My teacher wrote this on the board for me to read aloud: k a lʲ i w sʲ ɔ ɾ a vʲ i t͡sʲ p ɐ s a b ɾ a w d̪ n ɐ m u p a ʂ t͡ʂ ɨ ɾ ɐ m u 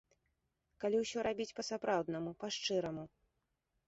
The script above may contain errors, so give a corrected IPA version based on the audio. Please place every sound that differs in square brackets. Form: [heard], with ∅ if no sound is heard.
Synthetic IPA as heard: k a lʲ i w sʲ ɔ ɾ a [bʲ] i t͡sʲ p ɐ s a [p] ɾ a w d̪ n ɐ m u p a ʂ t͡ʂ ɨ ɾ ɐ m u